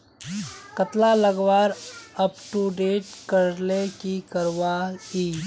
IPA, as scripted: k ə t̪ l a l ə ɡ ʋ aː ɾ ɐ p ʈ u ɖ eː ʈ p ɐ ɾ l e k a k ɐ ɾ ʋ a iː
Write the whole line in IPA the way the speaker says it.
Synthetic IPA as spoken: k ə t̪ l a l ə ɡ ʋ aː ɾ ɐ p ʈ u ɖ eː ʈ k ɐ ɾ l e k i k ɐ ɾ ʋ a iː